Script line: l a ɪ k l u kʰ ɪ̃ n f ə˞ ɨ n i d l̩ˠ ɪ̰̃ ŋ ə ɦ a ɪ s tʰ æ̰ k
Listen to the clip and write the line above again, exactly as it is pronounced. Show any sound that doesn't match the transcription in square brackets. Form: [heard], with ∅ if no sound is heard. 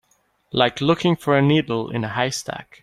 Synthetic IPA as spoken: l a ɪ k l [ʊ] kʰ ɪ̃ [ŋ] f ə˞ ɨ n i d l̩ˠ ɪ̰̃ [n] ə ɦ a ɪ s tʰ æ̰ k